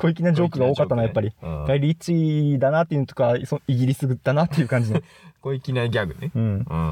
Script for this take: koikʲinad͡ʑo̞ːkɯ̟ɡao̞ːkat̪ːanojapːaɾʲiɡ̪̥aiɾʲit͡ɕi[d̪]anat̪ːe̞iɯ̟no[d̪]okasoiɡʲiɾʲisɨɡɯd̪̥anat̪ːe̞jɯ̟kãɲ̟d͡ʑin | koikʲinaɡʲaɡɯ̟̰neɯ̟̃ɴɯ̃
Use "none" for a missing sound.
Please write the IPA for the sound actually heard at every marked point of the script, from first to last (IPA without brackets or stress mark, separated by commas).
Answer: d̪, t̪